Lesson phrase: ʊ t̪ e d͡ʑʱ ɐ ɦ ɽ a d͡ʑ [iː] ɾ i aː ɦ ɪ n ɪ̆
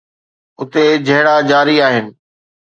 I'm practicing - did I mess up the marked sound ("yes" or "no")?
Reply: yes